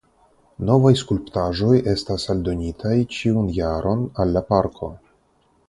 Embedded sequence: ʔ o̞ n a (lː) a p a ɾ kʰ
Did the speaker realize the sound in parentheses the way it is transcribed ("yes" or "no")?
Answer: yes